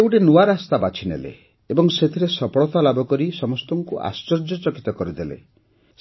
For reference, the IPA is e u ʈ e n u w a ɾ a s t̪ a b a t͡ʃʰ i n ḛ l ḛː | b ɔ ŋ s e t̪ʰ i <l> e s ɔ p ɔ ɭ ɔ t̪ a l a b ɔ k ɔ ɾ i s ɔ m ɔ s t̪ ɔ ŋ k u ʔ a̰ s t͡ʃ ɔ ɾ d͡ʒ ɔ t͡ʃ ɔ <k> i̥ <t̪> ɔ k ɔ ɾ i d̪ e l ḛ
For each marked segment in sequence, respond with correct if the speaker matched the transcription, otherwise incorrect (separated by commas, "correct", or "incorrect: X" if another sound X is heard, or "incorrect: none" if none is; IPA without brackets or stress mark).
incorrect: ɾ, correct, correct